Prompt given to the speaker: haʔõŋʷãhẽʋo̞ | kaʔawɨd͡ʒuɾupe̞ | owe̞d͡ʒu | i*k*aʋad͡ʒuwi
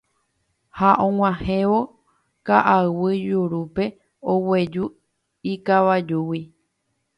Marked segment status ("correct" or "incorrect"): correct